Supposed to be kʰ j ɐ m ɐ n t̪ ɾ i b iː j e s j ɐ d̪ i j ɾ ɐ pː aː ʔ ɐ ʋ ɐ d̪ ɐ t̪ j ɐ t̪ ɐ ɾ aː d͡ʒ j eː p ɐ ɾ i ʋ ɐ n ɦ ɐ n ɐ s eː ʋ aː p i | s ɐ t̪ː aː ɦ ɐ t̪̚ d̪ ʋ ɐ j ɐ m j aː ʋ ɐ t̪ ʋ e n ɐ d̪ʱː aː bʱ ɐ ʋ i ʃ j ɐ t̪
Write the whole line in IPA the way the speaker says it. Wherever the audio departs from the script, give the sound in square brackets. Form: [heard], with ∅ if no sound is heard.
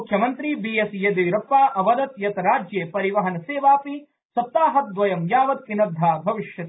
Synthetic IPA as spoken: kʰ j ɐ m ɐ n t̪ ɾ i b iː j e s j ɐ d̪ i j ɾ ɐ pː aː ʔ ɐ ʋ ɐ d̪ ɐ t̪ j ɐ t̪ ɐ ɾ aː d͡ʒ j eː p ɐ ɾ i ʋ ɐ [∅] ɦ ɐ n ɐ s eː ʋ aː p i | s ɐ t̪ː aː ɦ ɐ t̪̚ d̪ ʋ ɐ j ɐ m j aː ʋ ɐ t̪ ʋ [i] n ɐ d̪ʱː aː bʱ ɐ ʋ i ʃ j ɐ t̪